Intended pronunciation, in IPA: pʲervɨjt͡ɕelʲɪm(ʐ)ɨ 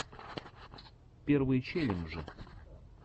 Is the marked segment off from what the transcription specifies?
no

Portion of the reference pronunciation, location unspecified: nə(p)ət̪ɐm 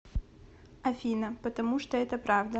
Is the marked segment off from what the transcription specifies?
no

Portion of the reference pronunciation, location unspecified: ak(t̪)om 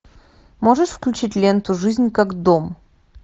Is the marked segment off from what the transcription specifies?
yes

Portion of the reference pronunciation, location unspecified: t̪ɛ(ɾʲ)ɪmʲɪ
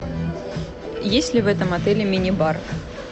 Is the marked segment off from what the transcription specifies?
yes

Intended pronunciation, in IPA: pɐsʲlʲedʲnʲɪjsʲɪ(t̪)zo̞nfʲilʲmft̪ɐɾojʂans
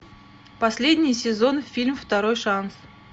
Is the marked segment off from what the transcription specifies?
yes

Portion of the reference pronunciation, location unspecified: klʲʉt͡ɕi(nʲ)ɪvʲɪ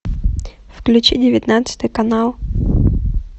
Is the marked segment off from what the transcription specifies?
yes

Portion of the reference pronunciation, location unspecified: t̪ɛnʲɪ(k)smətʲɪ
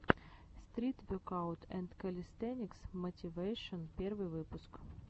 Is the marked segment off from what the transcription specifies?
no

